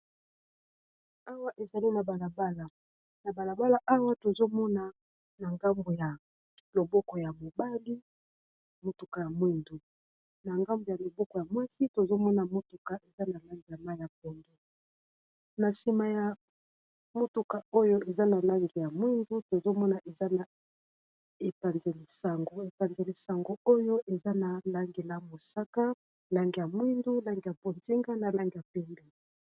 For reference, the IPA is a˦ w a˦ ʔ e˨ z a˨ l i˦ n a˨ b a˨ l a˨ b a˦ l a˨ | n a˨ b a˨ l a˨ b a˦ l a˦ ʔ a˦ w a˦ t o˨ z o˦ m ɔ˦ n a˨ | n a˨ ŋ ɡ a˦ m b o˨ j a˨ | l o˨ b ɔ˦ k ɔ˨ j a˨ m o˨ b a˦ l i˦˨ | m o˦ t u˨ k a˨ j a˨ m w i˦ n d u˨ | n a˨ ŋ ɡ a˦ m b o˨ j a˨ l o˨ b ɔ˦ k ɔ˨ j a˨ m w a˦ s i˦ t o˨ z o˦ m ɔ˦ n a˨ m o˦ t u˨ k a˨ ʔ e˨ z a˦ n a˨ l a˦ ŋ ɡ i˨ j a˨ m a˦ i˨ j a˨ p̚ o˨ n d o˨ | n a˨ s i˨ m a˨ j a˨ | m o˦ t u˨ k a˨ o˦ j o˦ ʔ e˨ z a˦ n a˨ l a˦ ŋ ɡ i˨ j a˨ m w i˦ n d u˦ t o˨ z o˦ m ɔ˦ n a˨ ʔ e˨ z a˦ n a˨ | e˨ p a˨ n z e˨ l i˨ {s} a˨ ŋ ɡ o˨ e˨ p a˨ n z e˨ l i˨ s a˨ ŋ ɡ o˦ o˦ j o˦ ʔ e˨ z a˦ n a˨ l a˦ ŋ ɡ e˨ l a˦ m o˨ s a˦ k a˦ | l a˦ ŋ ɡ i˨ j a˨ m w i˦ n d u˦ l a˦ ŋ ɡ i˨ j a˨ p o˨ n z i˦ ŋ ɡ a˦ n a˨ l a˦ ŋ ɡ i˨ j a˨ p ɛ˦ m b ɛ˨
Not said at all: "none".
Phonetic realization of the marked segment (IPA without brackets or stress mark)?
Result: s